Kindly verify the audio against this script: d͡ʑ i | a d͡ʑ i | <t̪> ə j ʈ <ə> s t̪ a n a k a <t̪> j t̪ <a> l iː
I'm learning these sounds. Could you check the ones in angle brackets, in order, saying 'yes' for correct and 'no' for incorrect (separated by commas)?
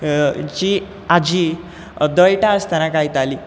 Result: no, no, no, yes